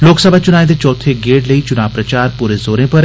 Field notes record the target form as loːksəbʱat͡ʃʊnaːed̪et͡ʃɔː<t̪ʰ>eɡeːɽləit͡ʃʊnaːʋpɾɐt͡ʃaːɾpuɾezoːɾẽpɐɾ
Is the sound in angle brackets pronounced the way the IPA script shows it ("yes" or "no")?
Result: yes